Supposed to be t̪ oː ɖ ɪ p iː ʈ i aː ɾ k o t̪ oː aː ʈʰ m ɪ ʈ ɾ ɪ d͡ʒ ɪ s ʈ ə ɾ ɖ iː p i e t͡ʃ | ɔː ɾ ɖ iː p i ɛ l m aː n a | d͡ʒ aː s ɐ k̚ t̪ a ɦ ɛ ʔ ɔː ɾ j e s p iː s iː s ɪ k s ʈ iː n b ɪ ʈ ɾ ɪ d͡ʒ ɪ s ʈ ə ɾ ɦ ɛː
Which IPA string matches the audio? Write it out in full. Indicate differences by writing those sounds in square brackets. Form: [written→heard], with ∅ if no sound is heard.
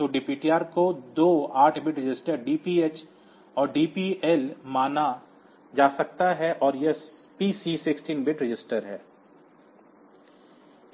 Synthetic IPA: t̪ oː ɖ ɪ p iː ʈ i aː ɾ k o [t̪→d̪] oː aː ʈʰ [m→b] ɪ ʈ ɾ ɪ d͡ʒ ɪ s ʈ ə ɾ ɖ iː p i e t͡ʃ | ɔː ɾ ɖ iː p i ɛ l m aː n a | d͡ʒ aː s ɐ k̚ t̪ a ɦ ɛ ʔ ɔː ɾ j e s p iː s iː s ɪ k s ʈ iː n b ɪ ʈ ɾ ɪ d͡ʒ ɪ s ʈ ə ɾ ɦ ɛː